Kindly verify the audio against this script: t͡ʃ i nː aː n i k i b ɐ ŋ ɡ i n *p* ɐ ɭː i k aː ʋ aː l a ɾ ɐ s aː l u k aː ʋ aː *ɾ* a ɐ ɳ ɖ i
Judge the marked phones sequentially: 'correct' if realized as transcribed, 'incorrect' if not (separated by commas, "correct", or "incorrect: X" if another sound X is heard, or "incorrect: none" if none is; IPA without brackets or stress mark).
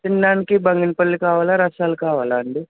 correct, incorrect: l